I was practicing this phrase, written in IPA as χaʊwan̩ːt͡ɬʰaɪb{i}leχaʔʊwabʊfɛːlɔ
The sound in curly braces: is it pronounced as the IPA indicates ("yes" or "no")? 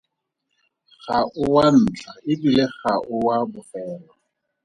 yes